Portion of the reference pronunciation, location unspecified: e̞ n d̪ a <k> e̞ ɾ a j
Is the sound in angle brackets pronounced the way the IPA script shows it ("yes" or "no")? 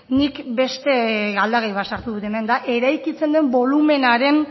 no